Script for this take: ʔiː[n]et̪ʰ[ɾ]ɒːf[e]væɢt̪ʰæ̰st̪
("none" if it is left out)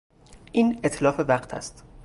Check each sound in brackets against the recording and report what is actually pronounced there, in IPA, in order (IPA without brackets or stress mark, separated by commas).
n, l, e